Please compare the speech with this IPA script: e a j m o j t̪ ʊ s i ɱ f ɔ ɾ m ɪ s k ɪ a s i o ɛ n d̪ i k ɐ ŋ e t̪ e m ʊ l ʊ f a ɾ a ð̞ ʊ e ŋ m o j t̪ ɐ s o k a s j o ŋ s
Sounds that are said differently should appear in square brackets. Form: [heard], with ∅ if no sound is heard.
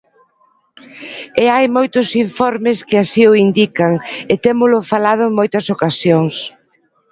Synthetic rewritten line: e a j m o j t̪ ʊ s i ɱ f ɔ ɾ m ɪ s k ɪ a s i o [i] n d̪ i k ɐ ŋ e t̪ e m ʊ l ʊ f a [l] a ð̞ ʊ e ŋ m o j t̪ ɐ s o k a s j o ŋ s